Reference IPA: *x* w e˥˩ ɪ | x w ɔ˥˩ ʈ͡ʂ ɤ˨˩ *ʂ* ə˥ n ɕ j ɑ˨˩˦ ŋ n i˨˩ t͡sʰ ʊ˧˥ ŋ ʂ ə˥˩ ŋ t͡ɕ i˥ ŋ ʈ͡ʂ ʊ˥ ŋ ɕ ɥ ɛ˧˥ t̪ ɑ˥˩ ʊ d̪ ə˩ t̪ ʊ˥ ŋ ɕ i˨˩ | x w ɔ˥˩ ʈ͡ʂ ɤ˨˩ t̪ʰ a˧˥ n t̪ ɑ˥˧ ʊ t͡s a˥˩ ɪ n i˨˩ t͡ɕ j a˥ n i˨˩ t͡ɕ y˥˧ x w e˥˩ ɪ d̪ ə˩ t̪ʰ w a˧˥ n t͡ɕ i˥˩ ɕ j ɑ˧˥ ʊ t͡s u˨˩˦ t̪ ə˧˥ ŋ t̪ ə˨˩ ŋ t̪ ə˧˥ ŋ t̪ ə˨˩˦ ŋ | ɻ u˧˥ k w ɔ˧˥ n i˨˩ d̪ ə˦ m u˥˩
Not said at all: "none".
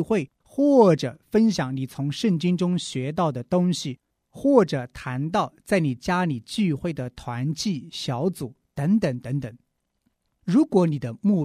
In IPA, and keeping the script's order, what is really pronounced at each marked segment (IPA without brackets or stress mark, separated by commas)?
x, f